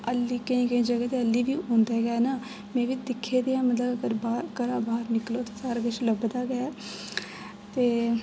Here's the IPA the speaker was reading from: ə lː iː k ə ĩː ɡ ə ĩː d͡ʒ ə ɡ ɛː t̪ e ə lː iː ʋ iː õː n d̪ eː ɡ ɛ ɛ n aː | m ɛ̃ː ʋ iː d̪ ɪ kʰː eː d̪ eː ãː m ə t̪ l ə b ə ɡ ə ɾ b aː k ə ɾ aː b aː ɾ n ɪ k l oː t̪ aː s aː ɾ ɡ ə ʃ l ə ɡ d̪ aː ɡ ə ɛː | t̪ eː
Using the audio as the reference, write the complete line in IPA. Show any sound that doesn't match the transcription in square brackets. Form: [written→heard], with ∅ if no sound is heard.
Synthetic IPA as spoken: ə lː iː k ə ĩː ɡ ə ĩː d͡ʒ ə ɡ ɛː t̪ e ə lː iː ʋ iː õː n d̪ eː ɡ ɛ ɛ n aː | m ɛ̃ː ʋ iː d̪ ɪ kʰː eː d̪ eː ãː m ə t̪ l ə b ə ɡ ə ɾ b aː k ə ɾ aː b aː ɾ n ɪ k l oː t̪ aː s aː ɾ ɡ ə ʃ l ə [ɡ→b] d̪ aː ɡ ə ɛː | t̪ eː